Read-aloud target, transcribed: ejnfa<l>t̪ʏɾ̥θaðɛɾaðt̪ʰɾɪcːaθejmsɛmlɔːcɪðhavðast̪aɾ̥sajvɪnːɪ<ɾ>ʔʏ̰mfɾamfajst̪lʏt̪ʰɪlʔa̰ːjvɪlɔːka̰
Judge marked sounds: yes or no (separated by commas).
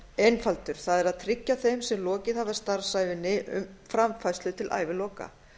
yes, no